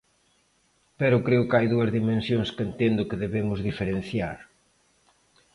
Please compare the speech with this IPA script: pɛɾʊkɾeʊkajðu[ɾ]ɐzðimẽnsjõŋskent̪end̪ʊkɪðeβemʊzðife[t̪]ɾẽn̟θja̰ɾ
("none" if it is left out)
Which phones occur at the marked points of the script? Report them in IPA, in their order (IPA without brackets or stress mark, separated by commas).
none, none